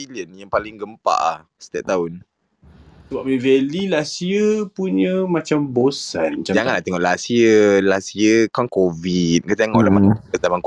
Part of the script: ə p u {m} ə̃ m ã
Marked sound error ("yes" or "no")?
yes